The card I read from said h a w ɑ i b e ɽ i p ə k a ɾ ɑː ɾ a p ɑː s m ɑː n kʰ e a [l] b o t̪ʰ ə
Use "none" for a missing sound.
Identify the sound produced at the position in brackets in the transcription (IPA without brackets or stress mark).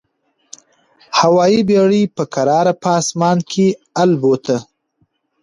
l